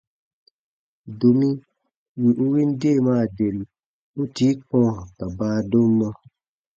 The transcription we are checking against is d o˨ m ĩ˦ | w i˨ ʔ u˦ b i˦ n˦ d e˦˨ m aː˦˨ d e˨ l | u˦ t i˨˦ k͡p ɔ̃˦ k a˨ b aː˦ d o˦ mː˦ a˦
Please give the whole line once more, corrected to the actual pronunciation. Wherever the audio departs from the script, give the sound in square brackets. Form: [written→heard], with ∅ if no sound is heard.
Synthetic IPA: d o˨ m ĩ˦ | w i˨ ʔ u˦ [b→w] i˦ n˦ d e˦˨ m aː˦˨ d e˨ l | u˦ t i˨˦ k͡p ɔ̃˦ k a˨ b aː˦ d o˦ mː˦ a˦